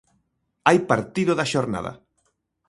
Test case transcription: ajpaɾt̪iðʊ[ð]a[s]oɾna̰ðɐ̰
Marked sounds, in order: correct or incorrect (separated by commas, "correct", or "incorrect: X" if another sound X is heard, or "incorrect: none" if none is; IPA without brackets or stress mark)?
correct, incorrect: ʃ